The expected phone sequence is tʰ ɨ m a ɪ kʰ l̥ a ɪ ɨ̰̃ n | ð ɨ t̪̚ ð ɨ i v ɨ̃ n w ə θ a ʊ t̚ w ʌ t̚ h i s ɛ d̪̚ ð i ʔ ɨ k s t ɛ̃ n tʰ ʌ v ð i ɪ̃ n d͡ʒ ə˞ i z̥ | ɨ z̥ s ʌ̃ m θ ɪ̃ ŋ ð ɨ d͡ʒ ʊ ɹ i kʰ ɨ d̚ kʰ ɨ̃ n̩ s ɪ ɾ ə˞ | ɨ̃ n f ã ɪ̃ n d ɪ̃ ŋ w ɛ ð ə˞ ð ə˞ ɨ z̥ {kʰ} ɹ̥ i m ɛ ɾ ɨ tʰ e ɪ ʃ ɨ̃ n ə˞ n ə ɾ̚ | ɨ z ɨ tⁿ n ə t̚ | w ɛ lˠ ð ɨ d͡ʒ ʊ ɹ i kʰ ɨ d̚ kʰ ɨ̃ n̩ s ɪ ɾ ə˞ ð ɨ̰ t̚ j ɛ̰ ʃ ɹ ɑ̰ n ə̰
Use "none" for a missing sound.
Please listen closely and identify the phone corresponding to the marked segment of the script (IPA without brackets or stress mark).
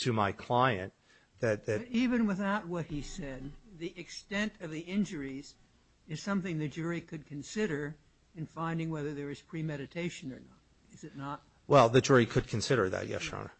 pʰ